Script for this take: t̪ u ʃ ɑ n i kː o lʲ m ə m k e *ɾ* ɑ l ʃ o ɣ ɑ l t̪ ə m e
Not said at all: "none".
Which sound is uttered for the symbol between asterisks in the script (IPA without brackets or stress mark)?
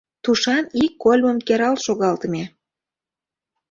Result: ɾ